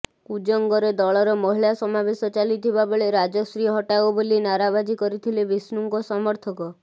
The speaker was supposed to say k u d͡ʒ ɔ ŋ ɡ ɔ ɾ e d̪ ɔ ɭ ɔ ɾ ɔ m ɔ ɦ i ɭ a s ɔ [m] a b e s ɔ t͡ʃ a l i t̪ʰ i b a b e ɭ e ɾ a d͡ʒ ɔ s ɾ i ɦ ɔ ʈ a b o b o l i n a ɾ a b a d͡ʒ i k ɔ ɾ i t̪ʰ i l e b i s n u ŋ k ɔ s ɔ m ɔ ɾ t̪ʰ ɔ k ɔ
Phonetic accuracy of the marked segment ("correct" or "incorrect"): correct